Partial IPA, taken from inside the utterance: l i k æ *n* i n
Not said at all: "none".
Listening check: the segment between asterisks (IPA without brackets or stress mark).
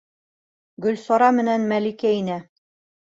none